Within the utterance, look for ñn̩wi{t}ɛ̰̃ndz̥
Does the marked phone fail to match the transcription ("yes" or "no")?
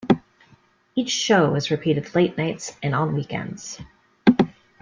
yes